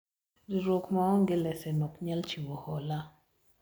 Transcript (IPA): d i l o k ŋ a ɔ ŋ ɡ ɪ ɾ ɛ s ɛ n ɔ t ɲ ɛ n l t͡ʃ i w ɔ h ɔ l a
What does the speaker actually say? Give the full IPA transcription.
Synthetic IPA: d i ɾ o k m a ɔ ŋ ɡ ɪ l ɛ s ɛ n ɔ k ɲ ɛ l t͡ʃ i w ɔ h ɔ l a